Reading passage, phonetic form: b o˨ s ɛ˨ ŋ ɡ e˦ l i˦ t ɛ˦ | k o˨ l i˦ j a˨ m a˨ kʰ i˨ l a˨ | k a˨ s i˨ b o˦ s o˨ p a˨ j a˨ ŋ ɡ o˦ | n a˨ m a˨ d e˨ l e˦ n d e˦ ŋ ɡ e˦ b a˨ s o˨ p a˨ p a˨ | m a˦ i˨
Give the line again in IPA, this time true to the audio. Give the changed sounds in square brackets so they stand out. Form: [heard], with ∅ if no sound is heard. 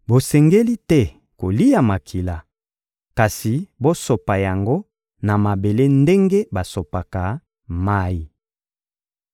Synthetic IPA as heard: b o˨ s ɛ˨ ŋ ɡ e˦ l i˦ t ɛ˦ | k o˨ l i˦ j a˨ m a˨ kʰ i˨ l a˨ | k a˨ s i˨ b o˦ s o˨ p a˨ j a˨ ŋ ɡ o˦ | n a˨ m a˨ [b] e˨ l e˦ n d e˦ ŋ ɡ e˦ b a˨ s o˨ p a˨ [k] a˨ | m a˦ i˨